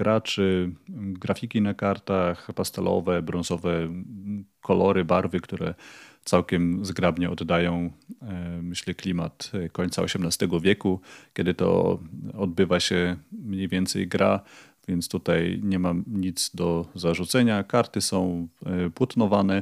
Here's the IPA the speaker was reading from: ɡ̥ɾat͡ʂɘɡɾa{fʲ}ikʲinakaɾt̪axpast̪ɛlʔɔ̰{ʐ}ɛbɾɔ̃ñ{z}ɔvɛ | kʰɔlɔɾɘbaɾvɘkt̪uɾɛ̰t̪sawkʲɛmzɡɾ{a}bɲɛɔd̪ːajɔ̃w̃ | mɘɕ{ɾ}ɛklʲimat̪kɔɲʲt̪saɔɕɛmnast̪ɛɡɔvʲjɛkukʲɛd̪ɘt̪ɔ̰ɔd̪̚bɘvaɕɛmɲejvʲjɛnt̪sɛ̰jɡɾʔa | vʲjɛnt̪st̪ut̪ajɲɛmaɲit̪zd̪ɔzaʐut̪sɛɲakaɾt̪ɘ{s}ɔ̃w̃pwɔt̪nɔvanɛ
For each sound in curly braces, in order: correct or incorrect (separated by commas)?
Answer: correct, incorrect, correct, correct, incorrect, correct